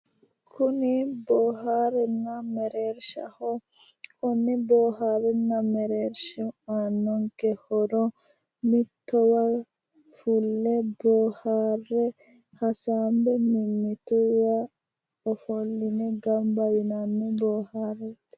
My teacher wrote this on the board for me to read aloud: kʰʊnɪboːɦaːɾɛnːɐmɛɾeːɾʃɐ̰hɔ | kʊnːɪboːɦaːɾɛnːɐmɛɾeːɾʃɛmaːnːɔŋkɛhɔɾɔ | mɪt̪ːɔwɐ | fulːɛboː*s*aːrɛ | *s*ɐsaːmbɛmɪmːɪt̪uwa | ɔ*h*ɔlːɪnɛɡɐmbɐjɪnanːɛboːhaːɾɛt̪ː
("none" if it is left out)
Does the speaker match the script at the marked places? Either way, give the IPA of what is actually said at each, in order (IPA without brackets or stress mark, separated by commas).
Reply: h, h, f